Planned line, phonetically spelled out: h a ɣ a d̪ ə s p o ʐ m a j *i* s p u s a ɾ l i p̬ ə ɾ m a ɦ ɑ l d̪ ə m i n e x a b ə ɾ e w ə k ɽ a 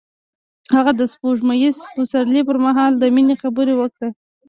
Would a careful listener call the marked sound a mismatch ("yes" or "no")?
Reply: no